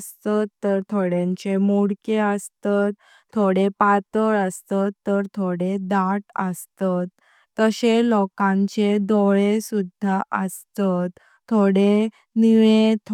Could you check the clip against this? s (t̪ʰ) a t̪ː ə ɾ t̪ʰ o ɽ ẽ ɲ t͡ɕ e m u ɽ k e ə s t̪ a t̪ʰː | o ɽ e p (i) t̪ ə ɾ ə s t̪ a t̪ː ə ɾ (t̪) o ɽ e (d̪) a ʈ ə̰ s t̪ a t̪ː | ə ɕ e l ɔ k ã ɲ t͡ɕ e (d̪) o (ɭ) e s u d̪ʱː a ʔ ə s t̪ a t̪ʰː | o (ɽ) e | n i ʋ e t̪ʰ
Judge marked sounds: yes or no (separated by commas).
no, no, no, yes, yes, yes, yes